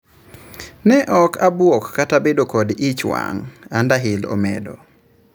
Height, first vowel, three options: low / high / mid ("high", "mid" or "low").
mid